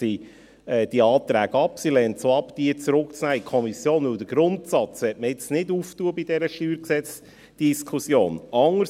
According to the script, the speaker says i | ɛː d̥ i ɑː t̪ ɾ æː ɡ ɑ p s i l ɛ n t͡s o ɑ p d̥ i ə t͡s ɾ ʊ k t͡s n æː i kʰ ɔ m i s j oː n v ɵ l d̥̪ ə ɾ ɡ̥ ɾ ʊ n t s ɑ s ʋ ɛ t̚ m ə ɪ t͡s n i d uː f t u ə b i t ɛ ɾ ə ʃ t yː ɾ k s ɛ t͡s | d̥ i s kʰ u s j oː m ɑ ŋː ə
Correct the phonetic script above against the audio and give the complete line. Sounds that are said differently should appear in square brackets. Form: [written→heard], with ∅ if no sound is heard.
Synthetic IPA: i | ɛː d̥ i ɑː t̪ ɾ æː ɡ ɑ p s i l ɛ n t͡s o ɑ p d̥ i ə t͡s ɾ ʊ k t͡s n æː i kʰ ɔ m i s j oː n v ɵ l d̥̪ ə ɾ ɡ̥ ɾ ʊ n t s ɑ [s→t͡s] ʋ ɛ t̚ m ə ɪ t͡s n [i→ɪ] d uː f t u ə b i [t→d] ɛ ɾ ə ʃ t yː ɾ k s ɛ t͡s | d̥ i s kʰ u s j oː [m→n] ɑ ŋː ə